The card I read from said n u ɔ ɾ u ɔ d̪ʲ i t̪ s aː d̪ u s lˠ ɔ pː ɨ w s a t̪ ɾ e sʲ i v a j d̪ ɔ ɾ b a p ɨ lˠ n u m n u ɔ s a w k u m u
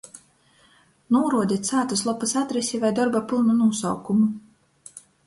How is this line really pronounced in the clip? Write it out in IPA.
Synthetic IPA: n u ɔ ɾ u ɔ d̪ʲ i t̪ s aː t̪ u s lˠ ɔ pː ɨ s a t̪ ɾ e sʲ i v a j d̪ ɔ ɾ b a p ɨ lˠ n u n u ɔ s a w k u m u